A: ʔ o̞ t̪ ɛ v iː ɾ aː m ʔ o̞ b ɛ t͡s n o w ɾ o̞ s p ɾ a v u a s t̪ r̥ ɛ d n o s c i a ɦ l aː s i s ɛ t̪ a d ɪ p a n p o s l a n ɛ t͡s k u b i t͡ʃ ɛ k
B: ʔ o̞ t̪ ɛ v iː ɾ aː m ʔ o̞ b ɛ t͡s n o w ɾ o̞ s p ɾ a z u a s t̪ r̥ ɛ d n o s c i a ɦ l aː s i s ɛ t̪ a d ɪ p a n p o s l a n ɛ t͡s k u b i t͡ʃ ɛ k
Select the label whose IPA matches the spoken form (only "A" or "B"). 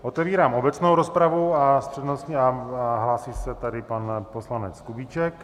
A